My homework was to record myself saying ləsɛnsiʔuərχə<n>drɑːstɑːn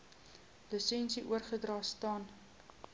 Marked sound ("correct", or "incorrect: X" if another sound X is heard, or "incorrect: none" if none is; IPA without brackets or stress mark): incorrect: none